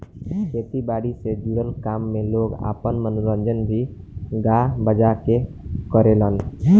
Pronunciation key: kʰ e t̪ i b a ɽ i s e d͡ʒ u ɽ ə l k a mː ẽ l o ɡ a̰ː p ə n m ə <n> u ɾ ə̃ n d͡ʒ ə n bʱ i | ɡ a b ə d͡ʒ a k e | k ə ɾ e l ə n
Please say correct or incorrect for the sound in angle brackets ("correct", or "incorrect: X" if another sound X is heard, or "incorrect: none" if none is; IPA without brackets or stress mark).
correct